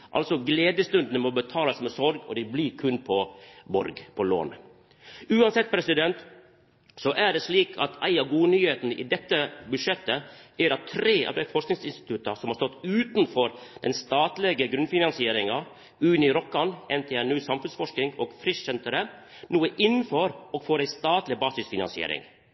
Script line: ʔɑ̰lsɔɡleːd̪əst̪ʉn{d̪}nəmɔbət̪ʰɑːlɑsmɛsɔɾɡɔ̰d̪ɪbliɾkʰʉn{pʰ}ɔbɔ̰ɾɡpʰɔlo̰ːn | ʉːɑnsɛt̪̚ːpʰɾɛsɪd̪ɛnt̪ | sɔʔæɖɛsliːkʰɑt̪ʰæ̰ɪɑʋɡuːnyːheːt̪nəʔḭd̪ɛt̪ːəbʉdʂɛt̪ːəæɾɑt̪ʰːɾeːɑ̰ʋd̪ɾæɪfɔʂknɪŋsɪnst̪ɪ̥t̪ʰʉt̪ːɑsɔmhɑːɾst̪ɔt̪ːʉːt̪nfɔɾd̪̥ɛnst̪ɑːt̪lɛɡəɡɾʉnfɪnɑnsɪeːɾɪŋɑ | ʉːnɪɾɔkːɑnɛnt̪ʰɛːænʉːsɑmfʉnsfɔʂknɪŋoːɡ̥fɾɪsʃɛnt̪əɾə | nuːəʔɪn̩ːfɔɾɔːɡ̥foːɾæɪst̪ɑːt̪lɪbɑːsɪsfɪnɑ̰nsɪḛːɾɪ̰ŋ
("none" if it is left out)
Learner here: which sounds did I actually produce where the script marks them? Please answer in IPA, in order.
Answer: d̪, pʰ

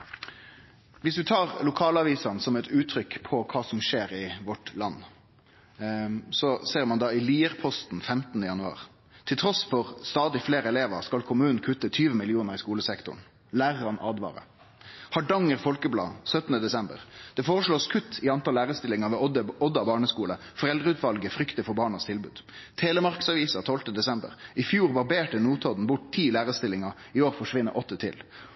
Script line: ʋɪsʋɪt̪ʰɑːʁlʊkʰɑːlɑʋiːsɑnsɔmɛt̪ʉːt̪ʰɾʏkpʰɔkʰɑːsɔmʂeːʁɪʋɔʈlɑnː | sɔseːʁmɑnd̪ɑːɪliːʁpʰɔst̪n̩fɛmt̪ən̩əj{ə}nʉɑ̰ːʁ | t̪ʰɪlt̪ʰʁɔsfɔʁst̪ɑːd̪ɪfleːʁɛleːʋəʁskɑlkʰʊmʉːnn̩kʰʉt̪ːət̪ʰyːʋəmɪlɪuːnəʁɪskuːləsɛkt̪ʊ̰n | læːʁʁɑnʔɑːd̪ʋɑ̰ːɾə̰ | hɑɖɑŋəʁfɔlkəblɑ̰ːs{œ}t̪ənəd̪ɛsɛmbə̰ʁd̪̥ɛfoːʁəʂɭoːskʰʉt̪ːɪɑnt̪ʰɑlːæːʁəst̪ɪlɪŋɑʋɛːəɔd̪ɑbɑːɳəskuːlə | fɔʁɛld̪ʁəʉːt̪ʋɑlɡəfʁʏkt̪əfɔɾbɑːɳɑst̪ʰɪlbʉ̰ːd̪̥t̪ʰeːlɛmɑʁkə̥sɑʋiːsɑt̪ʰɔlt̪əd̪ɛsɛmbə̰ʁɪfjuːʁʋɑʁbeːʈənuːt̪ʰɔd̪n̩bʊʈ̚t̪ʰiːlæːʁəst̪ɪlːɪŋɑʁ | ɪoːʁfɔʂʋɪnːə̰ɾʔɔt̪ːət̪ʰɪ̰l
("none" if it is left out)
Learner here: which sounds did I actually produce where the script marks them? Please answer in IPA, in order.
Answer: ɑ, œ

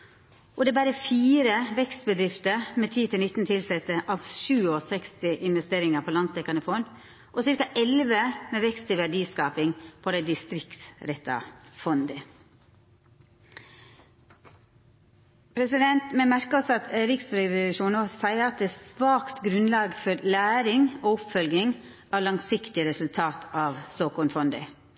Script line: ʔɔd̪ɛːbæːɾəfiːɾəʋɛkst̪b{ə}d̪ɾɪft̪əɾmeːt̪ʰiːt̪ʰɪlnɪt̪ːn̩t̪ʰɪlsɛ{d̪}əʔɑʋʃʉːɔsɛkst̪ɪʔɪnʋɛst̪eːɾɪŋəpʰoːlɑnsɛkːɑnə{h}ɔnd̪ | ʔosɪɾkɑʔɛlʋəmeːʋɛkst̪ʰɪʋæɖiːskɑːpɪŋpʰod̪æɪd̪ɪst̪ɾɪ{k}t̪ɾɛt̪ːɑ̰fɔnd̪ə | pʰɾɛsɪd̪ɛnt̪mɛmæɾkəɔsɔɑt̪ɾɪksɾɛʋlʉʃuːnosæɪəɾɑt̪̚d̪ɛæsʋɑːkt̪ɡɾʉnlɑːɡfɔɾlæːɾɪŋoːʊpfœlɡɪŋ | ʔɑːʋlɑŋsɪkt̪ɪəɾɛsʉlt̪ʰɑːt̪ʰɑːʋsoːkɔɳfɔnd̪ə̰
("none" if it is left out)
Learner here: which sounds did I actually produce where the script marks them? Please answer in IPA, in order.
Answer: ə, t̪, f, k

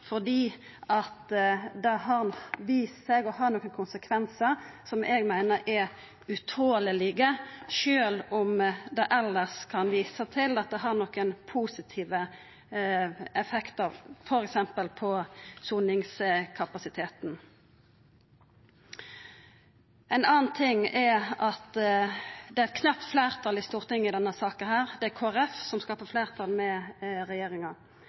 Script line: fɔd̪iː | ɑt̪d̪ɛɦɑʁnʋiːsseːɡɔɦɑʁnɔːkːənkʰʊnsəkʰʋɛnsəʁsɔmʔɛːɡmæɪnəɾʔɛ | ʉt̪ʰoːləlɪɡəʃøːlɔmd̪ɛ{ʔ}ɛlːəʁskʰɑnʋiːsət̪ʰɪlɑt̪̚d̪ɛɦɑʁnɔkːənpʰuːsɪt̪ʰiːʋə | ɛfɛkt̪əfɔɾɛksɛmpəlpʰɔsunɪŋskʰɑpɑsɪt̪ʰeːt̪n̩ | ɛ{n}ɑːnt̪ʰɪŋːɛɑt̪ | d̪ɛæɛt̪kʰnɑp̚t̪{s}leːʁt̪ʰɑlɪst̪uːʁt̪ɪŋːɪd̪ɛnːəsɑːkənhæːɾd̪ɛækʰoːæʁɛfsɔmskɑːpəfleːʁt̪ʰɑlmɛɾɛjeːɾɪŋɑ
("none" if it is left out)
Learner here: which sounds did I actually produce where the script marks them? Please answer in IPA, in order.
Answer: ʔ, n, f

